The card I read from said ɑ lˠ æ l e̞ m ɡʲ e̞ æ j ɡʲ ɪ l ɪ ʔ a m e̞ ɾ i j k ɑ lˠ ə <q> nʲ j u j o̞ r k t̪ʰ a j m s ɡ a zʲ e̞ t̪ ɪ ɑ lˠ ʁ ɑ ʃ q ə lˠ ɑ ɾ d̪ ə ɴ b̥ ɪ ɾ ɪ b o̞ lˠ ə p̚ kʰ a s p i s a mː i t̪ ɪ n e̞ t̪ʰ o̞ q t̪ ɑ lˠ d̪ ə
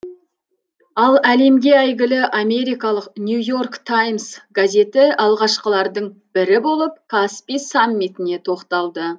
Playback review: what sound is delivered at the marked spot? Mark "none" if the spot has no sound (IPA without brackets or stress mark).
q